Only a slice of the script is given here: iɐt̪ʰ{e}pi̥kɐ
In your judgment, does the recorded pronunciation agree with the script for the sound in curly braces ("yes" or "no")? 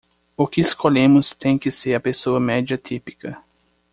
no